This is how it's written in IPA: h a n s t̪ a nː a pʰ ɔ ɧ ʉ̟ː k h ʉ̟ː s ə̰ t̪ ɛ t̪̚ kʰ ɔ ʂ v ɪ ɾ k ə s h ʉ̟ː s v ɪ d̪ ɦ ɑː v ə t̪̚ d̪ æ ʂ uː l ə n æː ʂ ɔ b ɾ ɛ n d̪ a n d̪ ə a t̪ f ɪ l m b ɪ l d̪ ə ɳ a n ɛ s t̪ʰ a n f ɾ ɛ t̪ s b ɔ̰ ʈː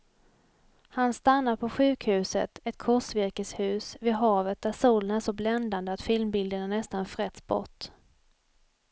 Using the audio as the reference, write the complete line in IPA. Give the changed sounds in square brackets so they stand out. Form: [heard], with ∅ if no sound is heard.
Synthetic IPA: h a n s t̪ a nː a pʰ ɔ ɧ ʉ̟ː k h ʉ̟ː s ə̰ t̪ ɛ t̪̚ kʰ ɔ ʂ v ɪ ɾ k ə s h ʉ̟ː s v ɪ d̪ ɦ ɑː v ə t̪̚ d̪ æ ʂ uː l ə n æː ʂ ɔ b [l] ɛ n d̪ a n d̪ ə a t̪ f ɪ l m b ɪ l d̪ ə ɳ a n ɛ s [t̪] a n f ɾ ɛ t̪ s b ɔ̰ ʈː